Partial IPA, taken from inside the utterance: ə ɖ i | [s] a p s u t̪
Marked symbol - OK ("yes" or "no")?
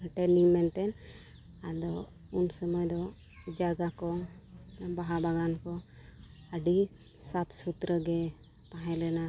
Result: yes